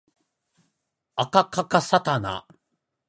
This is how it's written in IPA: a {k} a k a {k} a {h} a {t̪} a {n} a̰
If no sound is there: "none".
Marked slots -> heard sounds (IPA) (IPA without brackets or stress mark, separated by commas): k, k, s, t̪, n